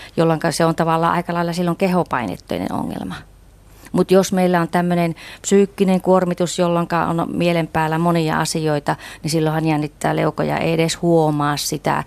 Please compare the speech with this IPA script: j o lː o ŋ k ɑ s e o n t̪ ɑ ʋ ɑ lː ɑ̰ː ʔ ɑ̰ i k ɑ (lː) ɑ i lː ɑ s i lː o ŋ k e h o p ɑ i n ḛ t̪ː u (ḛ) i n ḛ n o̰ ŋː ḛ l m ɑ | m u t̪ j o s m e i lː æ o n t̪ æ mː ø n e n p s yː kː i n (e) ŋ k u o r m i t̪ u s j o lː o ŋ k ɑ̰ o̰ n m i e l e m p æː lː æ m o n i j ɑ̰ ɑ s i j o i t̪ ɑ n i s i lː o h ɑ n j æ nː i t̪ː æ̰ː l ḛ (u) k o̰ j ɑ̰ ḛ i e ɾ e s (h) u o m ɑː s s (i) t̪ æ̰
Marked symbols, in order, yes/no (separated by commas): no, yes, yes, yes, yes, yes